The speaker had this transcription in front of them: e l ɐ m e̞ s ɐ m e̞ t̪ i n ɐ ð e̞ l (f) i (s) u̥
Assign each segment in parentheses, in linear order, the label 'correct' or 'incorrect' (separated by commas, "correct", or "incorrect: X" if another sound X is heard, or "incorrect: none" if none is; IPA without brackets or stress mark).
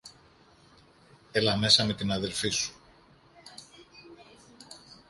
correct, correct